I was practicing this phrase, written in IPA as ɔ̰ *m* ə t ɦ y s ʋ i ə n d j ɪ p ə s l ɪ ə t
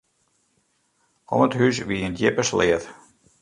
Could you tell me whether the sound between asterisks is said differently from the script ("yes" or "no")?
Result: no